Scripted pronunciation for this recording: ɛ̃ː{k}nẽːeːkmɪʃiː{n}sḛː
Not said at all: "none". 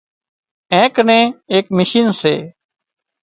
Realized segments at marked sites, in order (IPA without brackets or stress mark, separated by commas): k, n